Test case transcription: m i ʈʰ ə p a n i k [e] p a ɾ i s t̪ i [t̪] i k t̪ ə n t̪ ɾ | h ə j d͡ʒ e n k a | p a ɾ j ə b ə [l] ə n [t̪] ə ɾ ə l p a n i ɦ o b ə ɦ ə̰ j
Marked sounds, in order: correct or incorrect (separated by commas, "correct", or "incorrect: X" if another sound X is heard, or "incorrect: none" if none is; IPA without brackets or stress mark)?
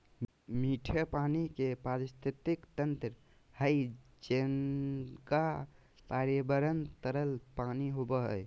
correct, correct, incorrect: ɾ, correct